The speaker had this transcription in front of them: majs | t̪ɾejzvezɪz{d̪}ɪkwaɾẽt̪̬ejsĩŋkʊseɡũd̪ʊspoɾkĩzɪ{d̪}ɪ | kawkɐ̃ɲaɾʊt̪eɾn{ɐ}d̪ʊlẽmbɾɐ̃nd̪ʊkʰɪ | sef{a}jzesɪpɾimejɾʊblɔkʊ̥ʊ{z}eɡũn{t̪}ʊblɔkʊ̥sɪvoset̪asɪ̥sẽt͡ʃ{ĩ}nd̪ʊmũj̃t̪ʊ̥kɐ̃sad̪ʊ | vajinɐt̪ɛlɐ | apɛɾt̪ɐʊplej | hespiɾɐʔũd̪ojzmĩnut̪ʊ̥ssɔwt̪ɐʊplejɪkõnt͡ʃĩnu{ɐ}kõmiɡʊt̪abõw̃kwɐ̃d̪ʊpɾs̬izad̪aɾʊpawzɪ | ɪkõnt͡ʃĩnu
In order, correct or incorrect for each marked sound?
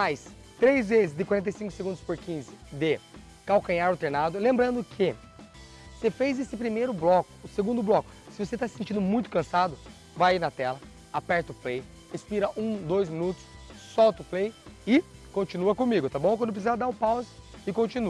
correct, correct, incorrect: a, incorrect: e, incorrect: s, incorrect: d̪, correct, correct

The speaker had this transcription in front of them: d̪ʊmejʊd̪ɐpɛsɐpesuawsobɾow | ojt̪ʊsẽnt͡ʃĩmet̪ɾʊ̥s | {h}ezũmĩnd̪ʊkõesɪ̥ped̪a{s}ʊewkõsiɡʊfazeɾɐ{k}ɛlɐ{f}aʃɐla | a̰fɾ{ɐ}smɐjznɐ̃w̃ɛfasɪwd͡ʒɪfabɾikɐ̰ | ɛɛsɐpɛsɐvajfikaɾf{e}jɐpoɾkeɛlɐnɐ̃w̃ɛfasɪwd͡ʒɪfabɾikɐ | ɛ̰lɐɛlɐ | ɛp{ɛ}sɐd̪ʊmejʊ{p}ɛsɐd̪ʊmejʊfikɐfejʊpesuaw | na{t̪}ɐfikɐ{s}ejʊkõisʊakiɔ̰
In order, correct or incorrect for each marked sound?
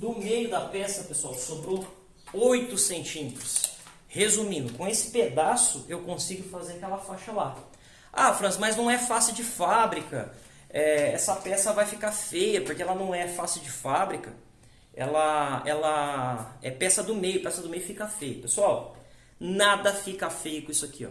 correct, correct, correct, correct, incorrect: ɐ̃, correct, correct, correct, incorrect: d̪, incorrect: f

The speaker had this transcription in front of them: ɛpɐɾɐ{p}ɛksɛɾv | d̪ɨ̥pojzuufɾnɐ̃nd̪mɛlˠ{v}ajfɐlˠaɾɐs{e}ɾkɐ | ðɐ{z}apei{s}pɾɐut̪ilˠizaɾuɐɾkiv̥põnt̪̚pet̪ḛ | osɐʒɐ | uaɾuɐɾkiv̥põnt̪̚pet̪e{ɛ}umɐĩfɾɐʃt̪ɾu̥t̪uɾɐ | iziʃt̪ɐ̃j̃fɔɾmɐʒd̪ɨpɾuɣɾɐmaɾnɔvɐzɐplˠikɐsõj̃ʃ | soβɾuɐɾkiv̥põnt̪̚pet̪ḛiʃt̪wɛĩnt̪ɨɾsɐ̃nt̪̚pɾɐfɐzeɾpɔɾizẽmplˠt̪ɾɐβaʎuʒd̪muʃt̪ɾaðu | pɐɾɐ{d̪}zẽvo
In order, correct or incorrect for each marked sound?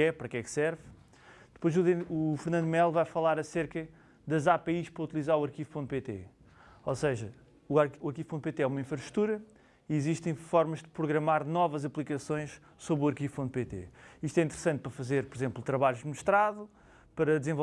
incorrect: k, correct, correct, correct, incorrect: ʃ, correct, correct

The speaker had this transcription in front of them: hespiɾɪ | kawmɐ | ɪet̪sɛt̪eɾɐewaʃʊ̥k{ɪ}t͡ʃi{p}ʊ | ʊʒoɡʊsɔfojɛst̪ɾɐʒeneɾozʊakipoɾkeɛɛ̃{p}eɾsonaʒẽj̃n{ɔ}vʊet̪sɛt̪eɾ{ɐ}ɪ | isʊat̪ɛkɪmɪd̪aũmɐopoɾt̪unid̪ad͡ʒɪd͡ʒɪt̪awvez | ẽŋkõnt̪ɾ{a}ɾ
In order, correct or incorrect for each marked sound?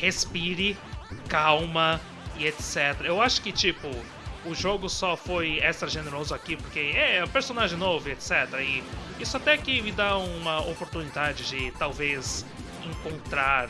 correct, correct, correct, incorrect: o, correct, correct

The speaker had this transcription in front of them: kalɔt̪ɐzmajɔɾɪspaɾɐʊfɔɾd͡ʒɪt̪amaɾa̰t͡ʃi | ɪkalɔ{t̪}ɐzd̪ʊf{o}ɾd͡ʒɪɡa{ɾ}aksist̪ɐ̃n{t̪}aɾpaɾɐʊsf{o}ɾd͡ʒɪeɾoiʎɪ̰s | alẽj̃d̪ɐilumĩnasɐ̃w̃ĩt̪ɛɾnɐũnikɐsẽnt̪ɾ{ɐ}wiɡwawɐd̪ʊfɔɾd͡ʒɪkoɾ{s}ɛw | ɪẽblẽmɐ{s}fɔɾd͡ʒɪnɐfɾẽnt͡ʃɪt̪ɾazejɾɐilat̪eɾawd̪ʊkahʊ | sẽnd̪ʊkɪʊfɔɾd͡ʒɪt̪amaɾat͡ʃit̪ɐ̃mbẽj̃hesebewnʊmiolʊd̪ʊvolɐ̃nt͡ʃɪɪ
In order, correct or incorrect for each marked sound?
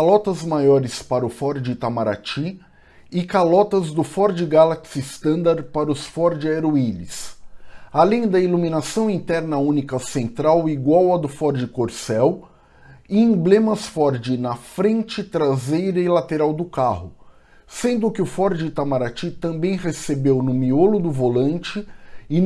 correct, incorrect: ɔ, incorrect: l, incorrect: d̪, incorrect: ɔ, incorrect: a, correct, correct

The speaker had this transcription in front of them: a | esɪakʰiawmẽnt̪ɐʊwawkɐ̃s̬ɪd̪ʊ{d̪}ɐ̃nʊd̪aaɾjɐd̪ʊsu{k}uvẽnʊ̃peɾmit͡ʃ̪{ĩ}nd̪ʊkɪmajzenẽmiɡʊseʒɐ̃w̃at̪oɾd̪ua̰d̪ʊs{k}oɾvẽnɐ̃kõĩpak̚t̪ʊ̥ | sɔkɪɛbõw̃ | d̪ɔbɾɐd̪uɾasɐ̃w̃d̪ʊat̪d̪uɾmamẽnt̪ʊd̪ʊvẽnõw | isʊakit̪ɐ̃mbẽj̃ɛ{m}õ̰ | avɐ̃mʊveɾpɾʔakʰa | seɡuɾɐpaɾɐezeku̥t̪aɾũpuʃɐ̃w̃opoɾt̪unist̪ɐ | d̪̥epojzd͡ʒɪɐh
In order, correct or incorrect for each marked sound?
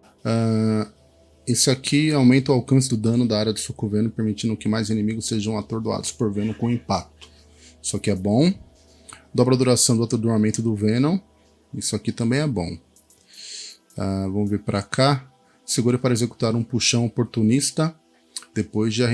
correct, correct, correct, incorrect: p, incorrect: b

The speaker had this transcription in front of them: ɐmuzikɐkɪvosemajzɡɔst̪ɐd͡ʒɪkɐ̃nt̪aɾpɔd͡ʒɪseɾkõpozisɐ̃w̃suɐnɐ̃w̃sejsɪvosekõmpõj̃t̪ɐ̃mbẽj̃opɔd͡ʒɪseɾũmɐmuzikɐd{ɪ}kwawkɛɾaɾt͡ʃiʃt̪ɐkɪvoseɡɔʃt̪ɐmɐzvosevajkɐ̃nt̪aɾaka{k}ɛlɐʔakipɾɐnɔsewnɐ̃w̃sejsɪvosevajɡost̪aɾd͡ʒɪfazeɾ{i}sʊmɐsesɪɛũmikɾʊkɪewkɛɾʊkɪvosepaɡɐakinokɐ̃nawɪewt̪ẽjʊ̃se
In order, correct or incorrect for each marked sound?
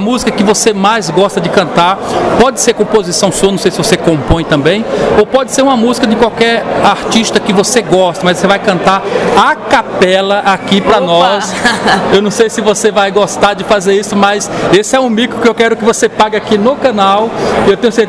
correct, incorrect: p, correct

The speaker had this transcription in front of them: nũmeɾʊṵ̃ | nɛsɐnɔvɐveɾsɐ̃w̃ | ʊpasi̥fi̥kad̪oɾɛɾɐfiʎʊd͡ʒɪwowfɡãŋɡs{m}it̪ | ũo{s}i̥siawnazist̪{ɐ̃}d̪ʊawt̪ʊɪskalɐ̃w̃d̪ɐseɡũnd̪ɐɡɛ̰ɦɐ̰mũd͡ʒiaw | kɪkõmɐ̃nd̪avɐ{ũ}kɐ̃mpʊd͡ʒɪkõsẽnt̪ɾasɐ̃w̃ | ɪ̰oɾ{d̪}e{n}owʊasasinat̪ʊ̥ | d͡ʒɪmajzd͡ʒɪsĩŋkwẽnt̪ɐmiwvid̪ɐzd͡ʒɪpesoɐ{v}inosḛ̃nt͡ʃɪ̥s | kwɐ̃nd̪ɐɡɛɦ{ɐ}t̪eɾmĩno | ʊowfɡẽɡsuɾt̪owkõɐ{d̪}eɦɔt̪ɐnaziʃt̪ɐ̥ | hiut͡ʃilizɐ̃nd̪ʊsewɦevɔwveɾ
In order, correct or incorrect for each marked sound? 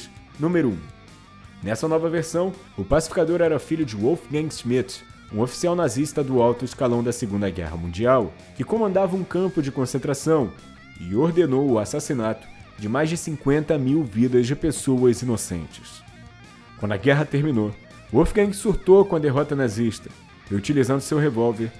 correct, incorrect: f, incorrect: ɐ, correct, correct, correct, incorrect: z, correct, correct

